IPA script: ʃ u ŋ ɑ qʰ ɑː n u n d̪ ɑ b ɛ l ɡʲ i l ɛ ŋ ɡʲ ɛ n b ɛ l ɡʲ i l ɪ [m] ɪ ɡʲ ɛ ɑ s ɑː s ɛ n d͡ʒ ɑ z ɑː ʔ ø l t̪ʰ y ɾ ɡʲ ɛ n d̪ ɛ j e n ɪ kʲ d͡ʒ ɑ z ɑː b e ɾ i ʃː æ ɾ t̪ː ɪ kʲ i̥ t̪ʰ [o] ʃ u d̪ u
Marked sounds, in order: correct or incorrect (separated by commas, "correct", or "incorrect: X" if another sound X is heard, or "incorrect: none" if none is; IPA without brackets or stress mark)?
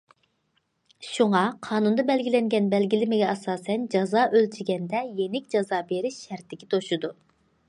correct, correct